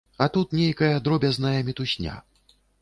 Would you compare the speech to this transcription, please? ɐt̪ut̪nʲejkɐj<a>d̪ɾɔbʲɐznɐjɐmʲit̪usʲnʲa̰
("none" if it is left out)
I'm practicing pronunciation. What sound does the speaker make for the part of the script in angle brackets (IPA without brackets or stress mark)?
ɐ